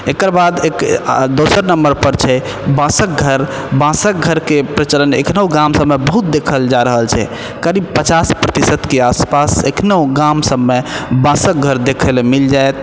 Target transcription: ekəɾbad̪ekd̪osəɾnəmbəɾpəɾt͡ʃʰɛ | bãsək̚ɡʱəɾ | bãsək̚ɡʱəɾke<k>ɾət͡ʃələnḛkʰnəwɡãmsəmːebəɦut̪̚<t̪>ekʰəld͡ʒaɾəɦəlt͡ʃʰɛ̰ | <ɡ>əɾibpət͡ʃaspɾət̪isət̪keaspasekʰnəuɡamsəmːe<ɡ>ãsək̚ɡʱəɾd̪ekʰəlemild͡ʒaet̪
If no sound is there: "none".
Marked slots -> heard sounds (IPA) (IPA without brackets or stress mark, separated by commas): p, d̪, k, b